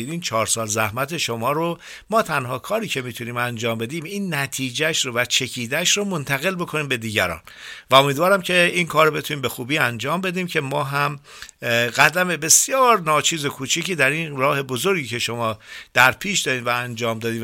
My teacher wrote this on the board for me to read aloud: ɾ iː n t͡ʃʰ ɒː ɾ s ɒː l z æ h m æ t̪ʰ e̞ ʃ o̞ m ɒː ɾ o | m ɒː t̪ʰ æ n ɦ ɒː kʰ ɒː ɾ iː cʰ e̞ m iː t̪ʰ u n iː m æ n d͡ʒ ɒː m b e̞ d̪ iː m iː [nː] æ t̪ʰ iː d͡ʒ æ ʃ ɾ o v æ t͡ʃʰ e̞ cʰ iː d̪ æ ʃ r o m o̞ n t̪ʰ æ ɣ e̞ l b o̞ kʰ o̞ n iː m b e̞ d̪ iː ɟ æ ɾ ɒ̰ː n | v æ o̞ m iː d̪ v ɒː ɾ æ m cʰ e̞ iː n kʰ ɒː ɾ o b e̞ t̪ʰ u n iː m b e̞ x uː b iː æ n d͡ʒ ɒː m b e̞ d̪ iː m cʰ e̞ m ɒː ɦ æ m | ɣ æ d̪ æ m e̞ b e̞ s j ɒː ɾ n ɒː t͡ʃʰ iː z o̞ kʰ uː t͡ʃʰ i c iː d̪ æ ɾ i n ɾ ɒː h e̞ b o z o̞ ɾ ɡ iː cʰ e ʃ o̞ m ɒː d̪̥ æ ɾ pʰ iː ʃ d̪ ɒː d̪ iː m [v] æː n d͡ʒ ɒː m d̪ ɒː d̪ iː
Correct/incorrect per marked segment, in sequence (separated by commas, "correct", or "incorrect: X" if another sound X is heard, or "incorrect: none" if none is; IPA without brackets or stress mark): correct, correct